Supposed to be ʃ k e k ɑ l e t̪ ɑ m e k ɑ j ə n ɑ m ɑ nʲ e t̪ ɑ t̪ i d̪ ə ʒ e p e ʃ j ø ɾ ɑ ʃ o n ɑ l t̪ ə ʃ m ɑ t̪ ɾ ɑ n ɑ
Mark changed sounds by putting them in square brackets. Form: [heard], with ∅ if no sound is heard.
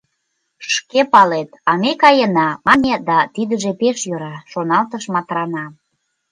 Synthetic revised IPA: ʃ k e [p] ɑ l e t̪ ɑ m e k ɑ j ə n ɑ m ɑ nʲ e [d̪] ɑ t̪ i d̪ ə ʒ e p e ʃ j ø ɾ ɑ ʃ o n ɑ l t̪ ə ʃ m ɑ t̪ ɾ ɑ n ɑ

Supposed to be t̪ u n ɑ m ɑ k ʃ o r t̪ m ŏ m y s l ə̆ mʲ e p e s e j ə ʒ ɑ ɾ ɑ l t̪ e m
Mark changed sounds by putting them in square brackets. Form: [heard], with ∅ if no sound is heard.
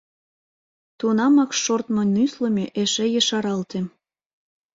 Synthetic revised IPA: t̪ u n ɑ m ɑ k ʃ o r t̪ m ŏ [n] y s l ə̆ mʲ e [ʔ] e [ʃ] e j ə [ʃ] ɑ ɾ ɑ l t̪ e m

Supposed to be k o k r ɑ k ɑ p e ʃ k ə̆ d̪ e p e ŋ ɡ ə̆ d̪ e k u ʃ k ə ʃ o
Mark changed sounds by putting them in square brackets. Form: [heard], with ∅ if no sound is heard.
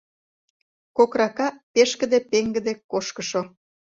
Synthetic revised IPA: k o k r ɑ k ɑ p e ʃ k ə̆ d̪ e p e ŋ ɡ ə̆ d̪ e k [o] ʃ k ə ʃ o

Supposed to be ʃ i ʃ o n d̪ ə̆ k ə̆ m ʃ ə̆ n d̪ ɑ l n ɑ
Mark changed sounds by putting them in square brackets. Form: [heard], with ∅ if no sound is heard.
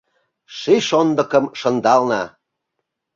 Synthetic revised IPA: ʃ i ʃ o n d̪ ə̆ k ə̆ m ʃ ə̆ n d̪ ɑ l n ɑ

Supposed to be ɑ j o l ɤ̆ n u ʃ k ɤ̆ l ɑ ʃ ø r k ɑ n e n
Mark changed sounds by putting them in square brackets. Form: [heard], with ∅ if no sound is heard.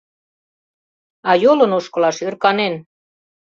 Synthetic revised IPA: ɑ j o l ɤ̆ n [o] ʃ k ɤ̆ l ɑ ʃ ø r k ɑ n e n

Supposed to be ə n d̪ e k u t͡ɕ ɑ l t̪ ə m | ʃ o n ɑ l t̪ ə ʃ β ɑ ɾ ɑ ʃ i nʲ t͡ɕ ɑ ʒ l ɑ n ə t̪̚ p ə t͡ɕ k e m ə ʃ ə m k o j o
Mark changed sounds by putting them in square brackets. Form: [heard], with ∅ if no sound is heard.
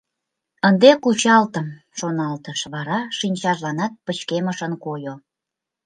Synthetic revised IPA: ə n d̪ e k u t͡ɕ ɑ l t̪ ə m | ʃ o n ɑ l t̪ ə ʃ β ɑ ɾ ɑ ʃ i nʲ t͡ɕ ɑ ʒ l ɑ n [ɑ] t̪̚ p ə t͡ɕ k e m ə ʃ ə [n] k o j o

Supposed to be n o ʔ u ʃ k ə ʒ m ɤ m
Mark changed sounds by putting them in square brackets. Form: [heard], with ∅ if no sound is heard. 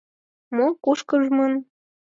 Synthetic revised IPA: [m] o [k] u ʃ k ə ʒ m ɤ [n]

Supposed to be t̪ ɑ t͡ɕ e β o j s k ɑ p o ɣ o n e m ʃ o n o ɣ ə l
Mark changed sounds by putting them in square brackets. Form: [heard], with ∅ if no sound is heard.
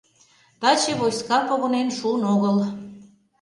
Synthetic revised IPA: t̪ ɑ t͡ɕ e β o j s k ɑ p o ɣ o n e [n] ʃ [u] n o ɣ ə l

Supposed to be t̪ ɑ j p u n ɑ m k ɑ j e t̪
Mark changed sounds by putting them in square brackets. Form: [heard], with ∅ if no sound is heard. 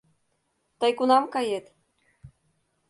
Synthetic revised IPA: t̪ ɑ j [k] u n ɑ m k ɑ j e t̪

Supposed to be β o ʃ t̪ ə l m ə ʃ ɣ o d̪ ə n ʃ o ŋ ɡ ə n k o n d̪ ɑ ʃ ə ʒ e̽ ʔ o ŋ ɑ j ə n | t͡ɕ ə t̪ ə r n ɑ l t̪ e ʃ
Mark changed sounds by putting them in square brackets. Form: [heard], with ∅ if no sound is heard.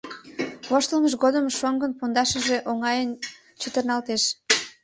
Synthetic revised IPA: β o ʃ t̪ ə l m ə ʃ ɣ o d̪ ə [m] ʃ o ŋ ɡ ə n [p] o n d̪ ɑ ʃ ə ʒ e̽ ʔ o ŋ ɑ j ə n | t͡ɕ ə t̪ ə r n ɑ l t̪ e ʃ

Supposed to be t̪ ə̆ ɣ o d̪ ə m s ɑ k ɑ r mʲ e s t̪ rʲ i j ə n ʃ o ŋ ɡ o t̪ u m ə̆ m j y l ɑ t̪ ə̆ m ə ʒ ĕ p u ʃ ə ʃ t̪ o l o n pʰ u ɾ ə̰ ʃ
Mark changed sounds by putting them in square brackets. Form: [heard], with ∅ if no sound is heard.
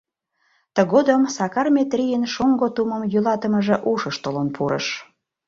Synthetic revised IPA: t̪ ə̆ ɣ o d̪ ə m s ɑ k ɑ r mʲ e [∅] t̪ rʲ i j ə n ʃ o ŋ ɡ o t̪ u m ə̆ m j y l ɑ t̪ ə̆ m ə ʒ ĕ [ʔ] u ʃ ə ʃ t̪ o l o n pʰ u ɾ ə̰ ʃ

